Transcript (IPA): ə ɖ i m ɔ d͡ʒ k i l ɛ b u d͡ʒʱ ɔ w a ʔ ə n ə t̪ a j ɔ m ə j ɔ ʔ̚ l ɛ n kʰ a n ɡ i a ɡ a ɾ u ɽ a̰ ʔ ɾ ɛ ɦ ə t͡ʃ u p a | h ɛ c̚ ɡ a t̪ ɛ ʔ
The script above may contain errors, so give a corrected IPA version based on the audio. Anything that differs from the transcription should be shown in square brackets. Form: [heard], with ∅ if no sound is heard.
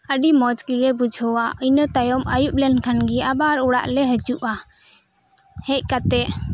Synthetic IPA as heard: ə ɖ i m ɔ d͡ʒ k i l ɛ b u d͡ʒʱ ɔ w a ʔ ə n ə t̪ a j ɔ m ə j [u] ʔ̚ l ɛ n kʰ a n ɡ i a [b] a ɾ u ɽ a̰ ʔ [l] ɛ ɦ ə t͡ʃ u [ʔ] a | h ɛ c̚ [k] a t̪ ɛ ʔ